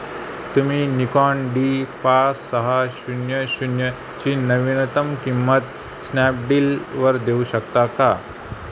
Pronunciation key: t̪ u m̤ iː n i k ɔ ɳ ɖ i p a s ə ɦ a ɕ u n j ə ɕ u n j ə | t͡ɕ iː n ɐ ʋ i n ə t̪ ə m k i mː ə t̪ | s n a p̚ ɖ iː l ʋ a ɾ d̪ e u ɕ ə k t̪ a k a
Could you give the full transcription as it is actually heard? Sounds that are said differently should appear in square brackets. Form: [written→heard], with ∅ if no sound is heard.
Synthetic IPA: t̪ u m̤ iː n i k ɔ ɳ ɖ i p a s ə ɦ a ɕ u n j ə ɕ u n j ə | t͡ɕ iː n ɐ ʋ i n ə t̪ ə m k i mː ə t̪ | s n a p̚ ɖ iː l ʋ [a→ə] ɾ d̪ e u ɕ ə k t̪ a k a